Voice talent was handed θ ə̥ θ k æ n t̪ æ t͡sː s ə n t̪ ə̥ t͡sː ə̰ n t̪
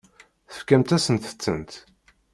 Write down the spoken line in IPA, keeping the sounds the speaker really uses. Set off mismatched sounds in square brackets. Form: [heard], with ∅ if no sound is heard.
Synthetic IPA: θ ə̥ [f] k æ [m] t̪ æ [∅] s ə n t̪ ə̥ t͡sː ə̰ n t̪